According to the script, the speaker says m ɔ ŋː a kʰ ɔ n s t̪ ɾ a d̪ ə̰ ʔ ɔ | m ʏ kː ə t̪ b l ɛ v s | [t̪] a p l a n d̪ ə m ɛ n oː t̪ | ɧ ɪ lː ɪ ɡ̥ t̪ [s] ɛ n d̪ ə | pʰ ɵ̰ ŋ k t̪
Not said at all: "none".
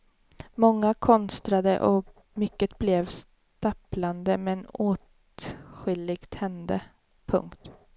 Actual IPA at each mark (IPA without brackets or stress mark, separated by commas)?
t̪, h